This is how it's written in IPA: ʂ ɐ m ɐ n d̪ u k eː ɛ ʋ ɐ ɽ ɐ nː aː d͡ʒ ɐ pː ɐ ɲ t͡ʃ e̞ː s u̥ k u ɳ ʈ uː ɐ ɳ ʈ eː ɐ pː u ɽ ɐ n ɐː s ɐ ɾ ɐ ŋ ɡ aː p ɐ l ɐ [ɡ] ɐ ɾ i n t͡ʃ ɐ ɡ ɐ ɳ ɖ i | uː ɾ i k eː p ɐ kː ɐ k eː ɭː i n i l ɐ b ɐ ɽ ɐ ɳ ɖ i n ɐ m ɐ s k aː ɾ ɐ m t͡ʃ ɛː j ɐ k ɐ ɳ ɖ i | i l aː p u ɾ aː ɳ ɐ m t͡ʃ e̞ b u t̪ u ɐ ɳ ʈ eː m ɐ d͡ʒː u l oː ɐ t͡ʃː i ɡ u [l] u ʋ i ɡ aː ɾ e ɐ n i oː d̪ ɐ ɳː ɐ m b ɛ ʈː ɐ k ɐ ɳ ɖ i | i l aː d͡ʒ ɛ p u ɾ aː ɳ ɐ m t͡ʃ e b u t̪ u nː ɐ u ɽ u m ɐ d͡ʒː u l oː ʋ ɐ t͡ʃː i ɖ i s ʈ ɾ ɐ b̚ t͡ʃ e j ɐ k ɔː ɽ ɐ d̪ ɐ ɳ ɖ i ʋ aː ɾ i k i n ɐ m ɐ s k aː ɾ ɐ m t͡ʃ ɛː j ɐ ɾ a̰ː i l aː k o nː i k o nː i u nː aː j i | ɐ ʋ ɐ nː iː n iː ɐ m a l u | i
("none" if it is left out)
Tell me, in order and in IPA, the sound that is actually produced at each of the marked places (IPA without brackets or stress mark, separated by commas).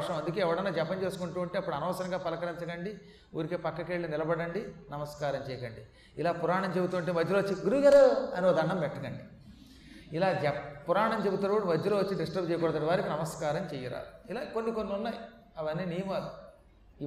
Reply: k, ɾ